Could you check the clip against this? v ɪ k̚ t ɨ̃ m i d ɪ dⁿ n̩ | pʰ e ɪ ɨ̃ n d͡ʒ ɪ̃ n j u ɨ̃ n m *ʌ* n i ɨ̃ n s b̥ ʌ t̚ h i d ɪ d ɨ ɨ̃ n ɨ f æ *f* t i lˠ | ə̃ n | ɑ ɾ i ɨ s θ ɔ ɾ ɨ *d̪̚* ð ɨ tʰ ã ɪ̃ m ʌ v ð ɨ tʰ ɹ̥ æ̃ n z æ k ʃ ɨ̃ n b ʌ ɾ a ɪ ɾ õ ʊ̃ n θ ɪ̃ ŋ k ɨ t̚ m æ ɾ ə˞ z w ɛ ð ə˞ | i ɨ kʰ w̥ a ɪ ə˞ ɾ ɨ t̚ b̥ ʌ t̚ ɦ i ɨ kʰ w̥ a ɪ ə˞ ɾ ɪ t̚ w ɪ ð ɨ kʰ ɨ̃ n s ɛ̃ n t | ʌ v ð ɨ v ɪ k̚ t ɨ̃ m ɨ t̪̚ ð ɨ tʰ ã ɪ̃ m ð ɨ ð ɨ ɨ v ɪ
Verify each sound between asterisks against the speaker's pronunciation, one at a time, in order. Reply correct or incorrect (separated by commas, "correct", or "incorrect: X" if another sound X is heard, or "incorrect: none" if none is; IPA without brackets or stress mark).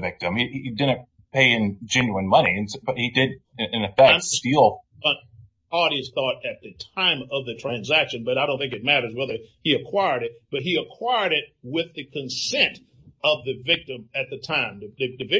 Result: correct, incorrect: s, incorrect: t̪̚